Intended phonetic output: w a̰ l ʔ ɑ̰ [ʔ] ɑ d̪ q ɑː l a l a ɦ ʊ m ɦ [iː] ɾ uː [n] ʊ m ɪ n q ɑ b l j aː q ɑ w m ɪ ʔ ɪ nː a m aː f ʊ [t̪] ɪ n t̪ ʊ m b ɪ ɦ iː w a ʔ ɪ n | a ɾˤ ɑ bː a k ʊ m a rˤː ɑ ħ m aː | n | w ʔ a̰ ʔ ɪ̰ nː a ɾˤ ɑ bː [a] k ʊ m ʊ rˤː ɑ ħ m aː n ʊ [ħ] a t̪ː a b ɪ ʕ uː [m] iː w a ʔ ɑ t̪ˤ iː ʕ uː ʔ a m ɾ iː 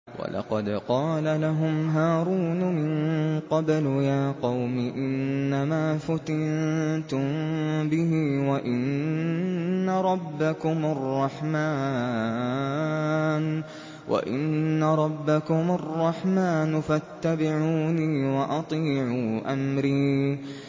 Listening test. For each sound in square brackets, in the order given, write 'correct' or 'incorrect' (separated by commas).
incorrect, incorrect, correct, correct, correct, incorrect, incorrect